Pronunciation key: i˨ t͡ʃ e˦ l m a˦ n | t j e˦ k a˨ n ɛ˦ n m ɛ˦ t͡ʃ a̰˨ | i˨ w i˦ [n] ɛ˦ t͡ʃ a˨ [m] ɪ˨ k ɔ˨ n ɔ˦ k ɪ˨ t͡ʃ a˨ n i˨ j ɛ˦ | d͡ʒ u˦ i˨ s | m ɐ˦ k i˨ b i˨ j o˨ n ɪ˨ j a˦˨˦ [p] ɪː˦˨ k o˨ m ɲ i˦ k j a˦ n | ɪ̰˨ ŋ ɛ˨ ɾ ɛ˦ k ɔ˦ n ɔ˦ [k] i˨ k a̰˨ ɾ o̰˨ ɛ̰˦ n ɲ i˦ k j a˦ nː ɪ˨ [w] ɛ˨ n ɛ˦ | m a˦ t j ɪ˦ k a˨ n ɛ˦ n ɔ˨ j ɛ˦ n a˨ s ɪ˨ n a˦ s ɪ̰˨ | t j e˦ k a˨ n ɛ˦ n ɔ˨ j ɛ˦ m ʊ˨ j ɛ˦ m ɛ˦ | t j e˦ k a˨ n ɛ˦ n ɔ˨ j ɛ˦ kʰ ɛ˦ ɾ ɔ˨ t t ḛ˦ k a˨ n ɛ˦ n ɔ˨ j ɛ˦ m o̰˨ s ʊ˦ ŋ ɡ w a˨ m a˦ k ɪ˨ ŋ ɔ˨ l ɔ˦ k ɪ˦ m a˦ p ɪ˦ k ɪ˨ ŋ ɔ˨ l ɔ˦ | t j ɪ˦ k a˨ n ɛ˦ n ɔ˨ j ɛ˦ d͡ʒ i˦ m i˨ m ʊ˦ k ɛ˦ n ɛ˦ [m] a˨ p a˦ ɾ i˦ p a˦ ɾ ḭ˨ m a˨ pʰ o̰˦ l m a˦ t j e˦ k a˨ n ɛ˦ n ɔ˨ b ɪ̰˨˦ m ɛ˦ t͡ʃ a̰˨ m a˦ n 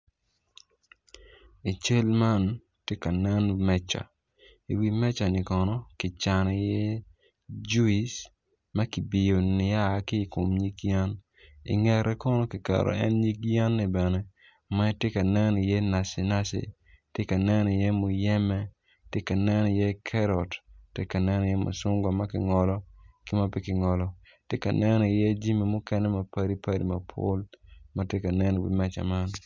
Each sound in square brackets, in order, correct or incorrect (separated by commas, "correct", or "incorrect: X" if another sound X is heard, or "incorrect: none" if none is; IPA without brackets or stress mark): incorrect: m, incorrect: n, incorrect: k, correct, incorrect: b, correct